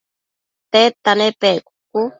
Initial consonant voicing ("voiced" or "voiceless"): voiceless